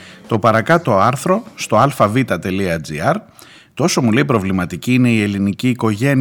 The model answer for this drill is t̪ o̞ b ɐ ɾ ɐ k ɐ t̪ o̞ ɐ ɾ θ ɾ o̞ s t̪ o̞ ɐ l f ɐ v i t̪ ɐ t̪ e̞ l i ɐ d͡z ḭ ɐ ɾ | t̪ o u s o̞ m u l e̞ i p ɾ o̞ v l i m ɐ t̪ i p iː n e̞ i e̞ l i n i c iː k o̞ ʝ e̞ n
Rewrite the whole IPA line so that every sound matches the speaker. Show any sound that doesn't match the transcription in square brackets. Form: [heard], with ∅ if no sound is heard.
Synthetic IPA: t̪ o̞ [p] ɐ ɾ ɐ k ɐ t̪ o̞ ɐ ɾ θ ɾ o̞ s t̪ o̞ ɐ l f ɐ v i t̪ ɐ t̪ e̞ l i ɐ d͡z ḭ ɐ ɾ | t̪ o [o] s o̞ m u l e̞ i p ɾ o̞ v l i m ɐ t̪ i [c] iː n e̞ i e̞ l i n i c iː k o̞ ʝ e̞ n